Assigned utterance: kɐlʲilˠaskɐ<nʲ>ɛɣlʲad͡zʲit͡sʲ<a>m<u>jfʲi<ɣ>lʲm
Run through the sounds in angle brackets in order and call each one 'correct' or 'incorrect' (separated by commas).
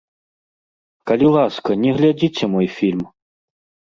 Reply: correct, incorrect, incorrect, incorrect